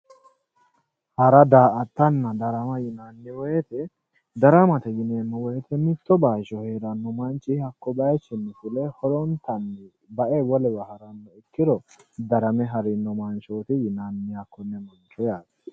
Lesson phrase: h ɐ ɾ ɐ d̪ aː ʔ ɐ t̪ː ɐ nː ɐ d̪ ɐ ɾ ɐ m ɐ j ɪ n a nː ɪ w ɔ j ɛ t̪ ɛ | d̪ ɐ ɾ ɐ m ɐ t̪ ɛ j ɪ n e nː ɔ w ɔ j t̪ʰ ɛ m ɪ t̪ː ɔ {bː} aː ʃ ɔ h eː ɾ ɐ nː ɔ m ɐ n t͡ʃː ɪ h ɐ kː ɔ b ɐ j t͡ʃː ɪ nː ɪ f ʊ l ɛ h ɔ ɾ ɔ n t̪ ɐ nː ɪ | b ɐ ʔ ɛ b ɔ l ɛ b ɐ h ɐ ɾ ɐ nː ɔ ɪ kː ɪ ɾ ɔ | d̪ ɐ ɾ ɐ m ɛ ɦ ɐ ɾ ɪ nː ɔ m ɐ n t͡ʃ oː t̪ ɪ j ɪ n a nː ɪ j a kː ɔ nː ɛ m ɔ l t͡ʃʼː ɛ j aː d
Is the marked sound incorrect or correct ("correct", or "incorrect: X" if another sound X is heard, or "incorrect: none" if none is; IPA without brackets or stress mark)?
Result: incorrect: b